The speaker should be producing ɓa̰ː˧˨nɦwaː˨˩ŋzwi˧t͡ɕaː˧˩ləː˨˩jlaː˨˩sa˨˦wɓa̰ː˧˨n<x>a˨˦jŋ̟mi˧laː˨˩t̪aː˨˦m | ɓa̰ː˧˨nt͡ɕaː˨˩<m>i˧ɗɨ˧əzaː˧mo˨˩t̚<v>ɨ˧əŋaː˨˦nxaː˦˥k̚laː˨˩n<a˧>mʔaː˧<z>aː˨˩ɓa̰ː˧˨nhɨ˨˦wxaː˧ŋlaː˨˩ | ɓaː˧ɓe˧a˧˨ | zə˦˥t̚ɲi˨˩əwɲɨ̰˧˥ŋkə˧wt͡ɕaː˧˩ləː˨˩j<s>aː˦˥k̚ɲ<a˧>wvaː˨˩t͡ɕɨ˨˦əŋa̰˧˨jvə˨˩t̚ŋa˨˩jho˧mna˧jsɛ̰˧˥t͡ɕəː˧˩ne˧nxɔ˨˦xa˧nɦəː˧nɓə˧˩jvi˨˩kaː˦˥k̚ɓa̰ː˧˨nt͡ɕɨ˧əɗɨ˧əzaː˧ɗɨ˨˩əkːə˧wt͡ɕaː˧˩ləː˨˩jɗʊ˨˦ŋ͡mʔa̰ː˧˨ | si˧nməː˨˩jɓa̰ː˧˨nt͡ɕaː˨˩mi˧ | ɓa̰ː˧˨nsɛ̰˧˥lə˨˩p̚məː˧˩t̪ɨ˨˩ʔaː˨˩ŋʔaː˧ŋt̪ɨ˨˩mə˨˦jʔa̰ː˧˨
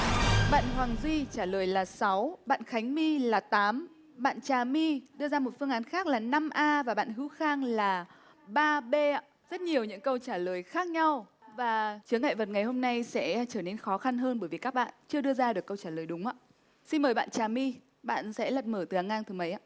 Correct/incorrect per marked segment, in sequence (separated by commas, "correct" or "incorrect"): correct, correct, incorrect, correct, incorrect, incorrect, correct